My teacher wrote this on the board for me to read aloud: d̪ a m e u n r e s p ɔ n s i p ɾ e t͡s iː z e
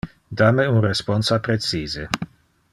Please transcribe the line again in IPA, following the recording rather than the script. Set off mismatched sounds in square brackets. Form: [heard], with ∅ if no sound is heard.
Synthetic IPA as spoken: d̪ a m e u n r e s p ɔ n s [a] p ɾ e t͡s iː z e